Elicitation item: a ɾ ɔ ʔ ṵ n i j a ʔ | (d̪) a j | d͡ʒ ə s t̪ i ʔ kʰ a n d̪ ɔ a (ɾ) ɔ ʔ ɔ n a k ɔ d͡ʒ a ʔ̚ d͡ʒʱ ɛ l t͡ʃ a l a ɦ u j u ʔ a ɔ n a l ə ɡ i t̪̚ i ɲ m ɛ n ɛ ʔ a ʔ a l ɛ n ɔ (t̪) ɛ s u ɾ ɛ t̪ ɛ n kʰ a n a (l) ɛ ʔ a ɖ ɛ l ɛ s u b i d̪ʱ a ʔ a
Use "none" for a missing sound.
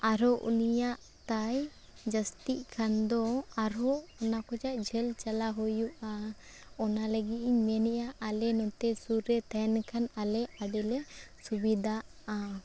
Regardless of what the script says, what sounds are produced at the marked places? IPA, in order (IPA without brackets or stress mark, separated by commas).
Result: t̪, ɾ, t̪, l